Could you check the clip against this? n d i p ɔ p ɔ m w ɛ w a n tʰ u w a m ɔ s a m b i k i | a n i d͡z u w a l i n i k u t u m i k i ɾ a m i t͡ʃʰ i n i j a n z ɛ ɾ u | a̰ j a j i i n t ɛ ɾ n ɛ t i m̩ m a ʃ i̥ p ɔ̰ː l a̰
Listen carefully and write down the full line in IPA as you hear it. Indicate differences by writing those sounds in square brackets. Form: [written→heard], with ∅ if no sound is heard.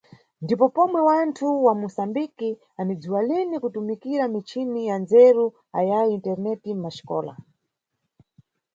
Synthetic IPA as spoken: n d i p ɔ p ɔ m w ɛ w a n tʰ u w a m [ɔ→u] s a m b i k i | a n i d͡z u w a l i n i k u t u m i k i ɾ a m i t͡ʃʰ i n i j a n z ɛ ɾ u | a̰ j a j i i n t ɛ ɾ n ɛ t i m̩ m a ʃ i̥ [p→k] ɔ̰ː l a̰